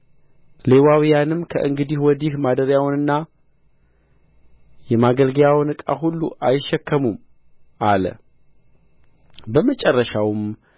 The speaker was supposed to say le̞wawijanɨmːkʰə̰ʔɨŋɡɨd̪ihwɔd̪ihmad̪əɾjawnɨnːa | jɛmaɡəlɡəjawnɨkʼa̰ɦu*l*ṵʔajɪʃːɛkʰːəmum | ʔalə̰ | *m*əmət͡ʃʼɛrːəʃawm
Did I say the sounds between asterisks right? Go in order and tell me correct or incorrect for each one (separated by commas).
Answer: incorrect, incorrect